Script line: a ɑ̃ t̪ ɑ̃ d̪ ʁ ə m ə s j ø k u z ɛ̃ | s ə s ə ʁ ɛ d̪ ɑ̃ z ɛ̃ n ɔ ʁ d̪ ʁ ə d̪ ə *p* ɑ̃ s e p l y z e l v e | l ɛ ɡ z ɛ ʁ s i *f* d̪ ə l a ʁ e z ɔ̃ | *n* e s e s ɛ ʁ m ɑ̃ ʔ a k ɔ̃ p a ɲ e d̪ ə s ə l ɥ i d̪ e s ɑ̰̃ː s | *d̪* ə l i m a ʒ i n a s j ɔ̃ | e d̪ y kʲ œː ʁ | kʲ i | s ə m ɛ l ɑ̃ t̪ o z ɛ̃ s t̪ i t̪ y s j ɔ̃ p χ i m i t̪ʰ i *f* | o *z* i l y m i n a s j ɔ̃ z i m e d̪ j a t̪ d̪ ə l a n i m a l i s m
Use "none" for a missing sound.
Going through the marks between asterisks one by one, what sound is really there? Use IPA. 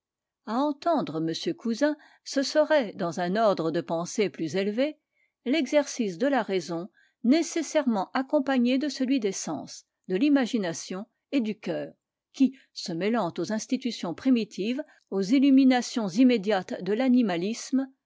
p, s, n, d̪, v, z

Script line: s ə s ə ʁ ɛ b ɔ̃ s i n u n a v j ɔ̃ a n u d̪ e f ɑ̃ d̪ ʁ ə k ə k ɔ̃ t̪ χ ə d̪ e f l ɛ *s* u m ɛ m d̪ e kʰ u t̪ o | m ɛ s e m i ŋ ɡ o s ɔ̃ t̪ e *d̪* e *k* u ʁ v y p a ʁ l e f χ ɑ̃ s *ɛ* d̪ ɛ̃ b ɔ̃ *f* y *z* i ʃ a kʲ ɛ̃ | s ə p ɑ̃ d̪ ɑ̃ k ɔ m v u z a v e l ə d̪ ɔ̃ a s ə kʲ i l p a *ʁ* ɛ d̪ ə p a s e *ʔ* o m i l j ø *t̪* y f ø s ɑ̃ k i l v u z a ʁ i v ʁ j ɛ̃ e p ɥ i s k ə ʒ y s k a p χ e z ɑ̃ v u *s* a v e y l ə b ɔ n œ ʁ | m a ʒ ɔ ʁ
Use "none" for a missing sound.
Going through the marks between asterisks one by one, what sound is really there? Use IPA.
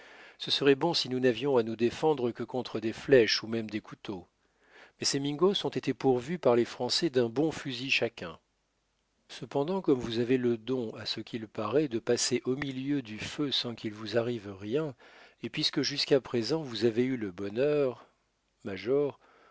ʃ, t̪, p, ɛ, f, z, ʁ, ʔ, d̪, z

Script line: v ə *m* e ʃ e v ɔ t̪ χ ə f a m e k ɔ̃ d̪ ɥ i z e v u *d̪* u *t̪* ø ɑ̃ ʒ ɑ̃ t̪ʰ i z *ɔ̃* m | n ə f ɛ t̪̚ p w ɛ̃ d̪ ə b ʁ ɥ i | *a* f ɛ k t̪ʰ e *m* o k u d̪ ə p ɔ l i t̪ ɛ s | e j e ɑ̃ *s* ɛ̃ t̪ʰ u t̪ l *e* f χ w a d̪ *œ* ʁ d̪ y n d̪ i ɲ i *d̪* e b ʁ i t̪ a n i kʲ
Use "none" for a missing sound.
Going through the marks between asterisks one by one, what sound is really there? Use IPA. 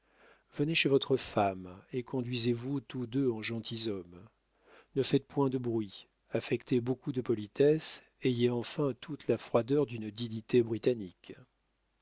n, t̪, d̪, ɔ, a, b, f, a, œ, t̪

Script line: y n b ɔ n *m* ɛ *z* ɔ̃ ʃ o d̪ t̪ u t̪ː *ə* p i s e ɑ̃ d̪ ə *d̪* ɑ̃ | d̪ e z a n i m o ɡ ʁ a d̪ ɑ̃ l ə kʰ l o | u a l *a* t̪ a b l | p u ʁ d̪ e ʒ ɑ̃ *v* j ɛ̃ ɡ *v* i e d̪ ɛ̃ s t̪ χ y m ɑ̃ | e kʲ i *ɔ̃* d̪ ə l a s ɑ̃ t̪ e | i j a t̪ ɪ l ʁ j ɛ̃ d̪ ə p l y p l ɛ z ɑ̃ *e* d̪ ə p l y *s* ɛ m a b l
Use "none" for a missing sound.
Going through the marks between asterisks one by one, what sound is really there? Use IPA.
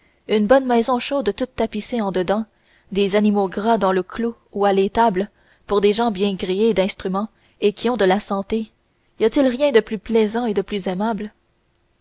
m, z, a, d̪, e, b, ʁ, ɔ̃, e, z

